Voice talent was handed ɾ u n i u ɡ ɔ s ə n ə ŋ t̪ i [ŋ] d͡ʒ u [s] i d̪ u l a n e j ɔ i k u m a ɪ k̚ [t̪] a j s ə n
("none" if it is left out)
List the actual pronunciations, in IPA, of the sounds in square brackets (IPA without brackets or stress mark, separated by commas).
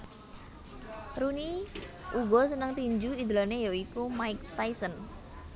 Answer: ɲ, none, t̪